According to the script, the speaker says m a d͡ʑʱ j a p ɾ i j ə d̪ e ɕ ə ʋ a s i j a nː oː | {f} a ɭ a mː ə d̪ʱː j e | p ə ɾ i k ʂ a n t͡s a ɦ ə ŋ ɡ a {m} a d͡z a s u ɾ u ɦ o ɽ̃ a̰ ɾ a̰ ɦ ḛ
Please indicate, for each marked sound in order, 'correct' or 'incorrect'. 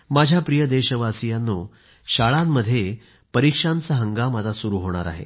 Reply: incorrect, correct

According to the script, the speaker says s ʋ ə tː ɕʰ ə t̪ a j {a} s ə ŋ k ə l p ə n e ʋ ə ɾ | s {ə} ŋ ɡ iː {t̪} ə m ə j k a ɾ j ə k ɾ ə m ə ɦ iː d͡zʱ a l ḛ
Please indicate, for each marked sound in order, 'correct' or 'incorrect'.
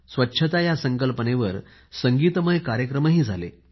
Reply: correct, correct, correct

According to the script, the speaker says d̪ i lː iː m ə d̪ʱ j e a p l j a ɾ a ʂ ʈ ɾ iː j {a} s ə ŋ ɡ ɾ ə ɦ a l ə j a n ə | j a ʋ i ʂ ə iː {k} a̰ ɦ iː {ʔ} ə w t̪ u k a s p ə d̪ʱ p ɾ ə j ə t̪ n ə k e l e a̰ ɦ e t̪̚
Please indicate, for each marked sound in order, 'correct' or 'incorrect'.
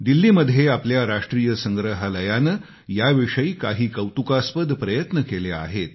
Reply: incorrect, correct, incorrect

